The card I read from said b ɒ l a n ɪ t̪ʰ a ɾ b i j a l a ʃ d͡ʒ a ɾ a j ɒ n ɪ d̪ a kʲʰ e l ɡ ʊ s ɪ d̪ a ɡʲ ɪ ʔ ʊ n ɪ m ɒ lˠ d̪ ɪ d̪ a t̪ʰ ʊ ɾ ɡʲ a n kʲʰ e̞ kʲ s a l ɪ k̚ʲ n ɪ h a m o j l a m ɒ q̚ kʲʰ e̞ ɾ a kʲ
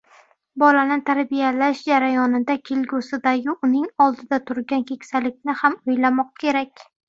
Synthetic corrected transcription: b ɒ l a n ɪ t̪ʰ a ɾ b i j a l a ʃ d͡ʒ a ɾ a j ɒ n ɪ d̪ a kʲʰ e l ɡ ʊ s ɪ d̪ a ɡʲ ɪ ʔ ʊ n ɪ ŋ ɒ lˠ d̪ ɪ d̪ a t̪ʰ ʊ ɾ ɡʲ a n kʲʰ e̞ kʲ s a l ɪ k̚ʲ n ɪ h a m o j l a m ɒ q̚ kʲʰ e̞ ɾ a kʲ

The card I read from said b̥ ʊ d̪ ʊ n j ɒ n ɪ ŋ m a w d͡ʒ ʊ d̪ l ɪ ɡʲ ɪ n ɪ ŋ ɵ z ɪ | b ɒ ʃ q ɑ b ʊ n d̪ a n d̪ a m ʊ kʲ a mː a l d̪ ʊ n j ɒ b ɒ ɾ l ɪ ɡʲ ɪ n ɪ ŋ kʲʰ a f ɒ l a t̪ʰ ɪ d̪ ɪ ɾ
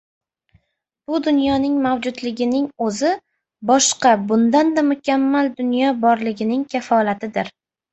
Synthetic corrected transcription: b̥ ʊ d̪ ʊ n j ɒ n ɪ ŋ m a w d͡ʒ ʊ d̪ l ɪ ɡʲ ɪ n ɪ ŋ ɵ z ɪ | b ɒ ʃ q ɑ b ʊ n d̪ a n d̪ a m ʊ kʲ a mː a l d̪ ʊ n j ɒ b ɒ ɾ l ɪ ɡʲ ɪ n ɪ ŋ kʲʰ a f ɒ l a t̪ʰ ɪ d̪ ɪ ɾ

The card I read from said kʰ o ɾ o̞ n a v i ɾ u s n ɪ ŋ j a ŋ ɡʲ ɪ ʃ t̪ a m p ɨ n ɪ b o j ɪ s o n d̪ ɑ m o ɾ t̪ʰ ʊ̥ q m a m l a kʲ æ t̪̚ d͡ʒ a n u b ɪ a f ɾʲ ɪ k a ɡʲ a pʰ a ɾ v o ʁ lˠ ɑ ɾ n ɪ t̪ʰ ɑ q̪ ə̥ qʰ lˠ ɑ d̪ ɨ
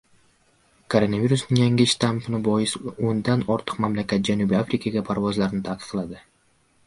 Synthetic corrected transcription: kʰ o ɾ o̞ n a v i ɾ u s n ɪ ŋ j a ŋ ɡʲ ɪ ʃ t̪ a m p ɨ n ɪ b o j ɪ s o n d̪ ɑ n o ɾ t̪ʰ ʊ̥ q m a m l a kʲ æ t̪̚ d͡ʒ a n u b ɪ a f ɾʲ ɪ k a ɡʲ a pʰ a ɾ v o z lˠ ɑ ɾ n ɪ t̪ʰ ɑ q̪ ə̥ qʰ lˠ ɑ d̪ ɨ

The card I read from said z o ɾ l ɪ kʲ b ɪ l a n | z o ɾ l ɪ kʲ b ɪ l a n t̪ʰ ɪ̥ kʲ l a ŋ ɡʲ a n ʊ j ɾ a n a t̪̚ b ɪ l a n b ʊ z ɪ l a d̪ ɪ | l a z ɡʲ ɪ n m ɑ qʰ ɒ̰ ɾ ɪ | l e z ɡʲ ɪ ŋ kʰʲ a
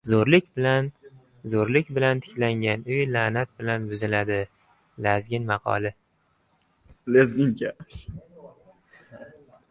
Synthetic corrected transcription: z o ɾ l ɪ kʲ b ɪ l a n | z o ɾ l ɪ kʲ b ɪ l a n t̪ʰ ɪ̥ kʲ l a ŋ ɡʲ a n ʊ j l a n a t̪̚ b ɪ l a n b ʊ z ɪ l a d̪ ɪ | l a z ɡʲ ɪ n m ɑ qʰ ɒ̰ l ɪ | l e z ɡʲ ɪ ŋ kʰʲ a

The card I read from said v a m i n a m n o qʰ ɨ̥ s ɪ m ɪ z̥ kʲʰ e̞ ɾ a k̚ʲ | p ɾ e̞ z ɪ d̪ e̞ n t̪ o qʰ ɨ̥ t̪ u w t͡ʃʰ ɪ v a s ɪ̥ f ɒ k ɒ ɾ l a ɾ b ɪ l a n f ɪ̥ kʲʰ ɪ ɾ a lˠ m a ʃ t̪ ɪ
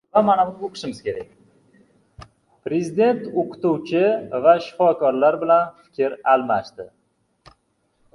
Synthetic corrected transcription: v a m a n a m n o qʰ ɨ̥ ʃ ɪ m ɪ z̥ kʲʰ e̞ ɾ a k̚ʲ | p ɾ e̞ z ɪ d̪ e̞ n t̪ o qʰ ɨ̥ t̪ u w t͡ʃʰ ɪ v a ʃ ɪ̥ f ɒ k ɒ ɾ l a ɾ b ɪ l a n f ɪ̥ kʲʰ ɪ ɾ a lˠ m a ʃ t̪ ɪ

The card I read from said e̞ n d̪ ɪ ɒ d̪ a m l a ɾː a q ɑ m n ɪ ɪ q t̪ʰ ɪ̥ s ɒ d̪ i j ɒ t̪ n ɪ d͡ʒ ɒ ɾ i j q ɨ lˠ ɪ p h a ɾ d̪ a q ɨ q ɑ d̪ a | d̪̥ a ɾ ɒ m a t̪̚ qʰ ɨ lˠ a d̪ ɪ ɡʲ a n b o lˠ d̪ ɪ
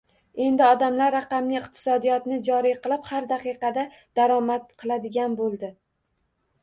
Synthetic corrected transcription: e̞ n d̪ ɪ ɒ d̪ a m l a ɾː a q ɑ m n ɪ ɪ q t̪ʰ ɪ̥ s ɒ d̪ i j ɒ t̪ n ɪ d͡ʒ ɒ ɾ i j q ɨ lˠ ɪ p h a ɾ d̪ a q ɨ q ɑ d̪ a | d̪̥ a ɾ ɒ m a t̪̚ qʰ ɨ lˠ a d̪ ɪ ɡʲ a n b o lˠ d̪ ɪ

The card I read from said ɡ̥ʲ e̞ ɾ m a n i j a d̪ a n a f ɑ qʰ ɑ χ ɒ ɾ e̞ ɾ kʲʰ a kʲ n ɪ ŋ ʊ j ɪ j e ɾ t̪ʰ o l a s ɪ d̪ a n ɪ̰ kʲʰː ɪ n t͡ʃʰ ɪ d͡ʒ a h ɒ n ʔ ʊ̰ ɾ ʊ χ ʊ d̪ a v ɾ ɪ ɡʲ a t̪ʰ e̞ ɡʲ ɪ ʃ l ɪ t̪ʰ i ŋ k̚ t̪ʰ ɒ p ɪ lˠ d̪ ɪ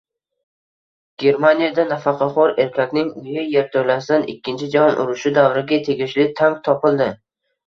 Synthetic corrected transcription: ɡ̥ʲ e̞ ɾ m a n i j a d̪ a n a f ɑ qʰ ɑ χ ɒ ɾ e̞ ɾ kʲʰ a kʲ n ɪ ŋ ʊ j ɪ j e ɾ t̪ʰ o l a s ɪ d̪ a n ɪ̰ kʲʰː ɪ n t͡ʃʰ ɪ d͡ʒ a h ɒ n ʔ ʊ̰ ɾ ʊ ʃ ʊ d̪ a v ɾ ɪ ɡʲ a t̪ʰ e̞ ɡʲ ɪ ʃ l ɪ t̪ʰ a ŋ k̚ t̪ʰ ɒ p ɪ lˠ d̪ ɪ

